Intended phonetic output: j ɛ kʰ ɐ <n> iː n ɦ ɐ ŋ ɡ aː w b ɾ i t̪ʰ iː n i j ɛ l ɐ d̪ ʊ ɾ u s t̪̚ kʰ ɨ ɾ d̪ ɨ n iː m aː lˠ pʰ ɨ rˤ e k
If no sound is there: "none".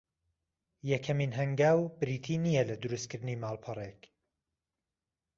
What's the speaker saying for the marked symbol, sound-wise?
m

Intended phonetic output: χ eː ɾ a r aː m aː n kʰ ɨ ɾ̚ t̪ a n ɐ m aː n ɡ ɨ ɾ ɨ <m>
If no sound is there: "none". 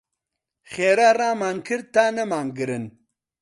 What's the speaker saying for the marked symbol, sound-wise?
n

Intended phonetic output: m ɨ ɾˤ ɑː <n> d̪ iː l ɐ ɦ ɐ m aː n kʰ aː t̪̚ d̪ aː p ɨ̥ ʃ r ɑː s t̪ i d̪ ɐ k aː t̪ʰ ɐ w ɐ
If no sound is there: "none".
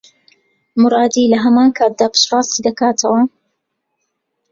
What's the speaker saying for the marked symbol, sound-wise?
none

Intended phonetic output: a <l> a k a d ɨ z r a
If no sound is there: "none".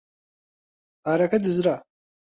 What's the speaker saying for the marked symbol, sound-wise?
ɾ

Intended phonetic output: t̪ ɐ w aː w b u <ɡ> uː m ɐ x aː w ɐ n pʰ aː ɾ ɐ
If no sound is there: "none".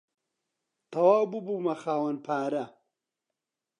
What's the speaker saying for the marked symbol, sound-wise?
b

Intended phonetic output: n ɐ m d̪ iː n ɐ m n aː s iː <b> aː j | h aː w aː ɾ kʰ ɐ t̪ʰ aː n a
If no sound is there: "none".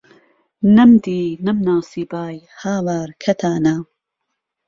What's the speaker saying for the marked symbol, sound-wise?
b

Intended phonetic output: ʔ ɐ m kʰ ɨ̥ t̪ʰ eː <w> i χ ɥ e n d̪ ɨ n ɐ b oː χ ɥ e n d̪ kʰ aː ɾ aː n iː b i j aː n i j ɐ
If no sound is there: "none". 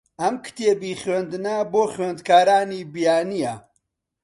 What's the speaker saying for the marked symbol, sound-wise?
b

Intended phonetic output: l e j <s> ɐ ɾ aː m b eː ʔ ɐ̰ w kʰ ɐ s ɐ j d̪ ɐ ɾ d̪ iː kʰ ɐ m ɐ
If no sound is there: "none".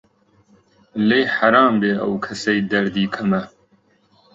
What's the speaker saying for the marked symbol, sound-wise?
ħ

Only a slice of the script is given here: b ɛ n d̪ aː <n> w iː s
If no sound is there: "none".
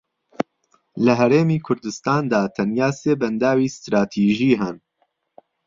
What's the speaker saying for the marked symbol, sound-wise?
none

